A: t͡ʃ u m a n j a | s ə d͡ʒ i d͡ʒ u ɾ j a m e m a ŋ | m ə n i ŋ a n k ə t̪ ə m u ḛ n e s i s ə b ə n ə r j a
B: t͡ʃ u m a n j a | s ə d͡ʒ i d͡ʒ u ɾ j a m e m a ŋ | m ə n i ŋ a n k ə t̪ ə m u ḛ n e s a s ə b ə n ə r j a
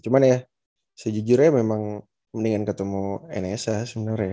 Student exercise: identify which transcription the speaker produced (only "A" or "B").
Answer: B